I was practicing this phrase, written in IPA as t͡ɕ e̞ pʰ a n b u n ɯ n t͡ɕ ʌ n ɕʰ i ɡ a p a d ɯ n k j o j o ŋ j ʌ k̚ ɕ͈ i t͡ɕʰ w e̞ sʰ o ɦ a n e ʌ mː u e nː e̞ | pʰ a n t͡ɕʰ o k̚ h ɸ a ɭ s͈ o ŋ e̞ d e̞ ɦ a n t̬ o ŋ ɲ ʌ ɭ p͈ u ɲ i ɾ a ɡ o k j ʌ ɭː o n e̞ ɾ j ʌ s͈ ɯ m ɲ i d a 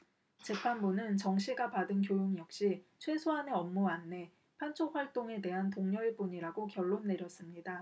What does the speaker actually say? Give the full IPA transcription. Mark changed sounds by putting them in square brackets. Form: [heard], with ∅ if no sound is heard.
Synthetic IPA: t͡ɕ e̞ pʰ a n b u n ɯ n t͡ɕ ʌ [ŋ] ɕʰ i ɡ a p a d ɯ n k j o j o ŋ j ʌ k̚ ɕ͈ i t͡ɕʰ w e̞ sʰ o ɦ a n e ʌ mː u [a] nː e̞ | pʰ a n t͡ɕʰ o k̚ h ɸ a ɭ [t͈] o ŋ e̞ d e̞ ɦ a n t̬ o ŋ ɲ ʌ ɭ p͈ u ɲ i ɾ a ɡ o k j ʌ ɭː o [nː] e̞ ɾ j ʌ s͈ ɯ m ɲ i d a